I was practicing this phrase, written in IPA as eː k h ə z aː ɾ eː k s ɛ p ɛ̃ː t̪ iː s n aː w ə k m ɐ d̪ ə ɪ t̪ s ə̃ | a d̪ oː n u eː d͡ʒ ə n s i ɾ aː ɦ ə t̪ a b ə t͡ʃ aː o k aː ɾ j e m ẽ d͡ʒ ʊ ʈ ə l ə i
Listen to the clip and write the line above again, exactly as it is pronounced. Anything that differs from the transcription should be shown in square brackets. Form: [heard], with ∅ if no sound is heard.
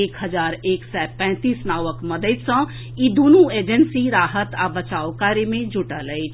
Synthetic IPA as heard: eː k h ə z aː ɾ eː k s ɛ p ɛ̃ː t̪ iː s n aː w ə k m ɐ d̪ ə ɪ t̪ s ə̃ | [i] d̪ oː n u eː d͡ʒ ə n s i ɾ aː ɦ ə t̪ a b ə t͡ʃ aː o k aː ɾ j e m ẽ d͡ʒ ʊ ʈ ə l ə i